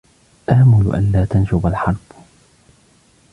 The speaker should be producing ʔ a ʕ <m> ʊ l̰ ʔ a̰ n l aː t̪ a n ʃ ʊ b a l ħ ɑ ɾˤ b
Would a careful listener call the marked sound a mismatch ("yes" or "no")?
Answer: no